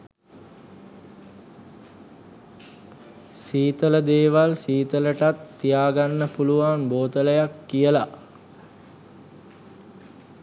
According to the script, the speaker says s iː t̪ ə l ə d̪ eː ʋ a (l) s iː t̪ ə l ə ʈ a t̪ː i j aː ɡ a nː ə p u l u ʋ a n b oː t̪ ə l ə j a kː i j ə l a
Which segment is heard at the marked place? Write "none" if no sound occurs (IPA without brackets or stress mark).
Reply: l